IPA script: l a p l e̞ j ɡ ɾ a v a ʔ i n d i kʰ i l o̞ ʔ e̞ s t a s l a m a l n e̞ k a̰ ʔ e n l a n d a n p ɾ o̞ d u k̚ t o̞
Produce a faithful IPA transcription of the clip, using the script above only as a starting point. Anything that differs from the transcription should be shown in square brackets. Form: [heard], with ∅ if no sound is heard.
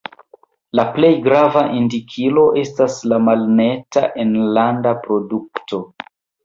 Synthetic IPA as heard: l a p l e̞ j ɡ ɾ a v a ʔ i n d i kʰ i l o̞ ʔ e̞ s t a s l a m a l n e̞ [t] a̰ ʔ e n l a n d a [∅] p ɾ o̞ d u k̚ t o̞